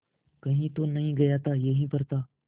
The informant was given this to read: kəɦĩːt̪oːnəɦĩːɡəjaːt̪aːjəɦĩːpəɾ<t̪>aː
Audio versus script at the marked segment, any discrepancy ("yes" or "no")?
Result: no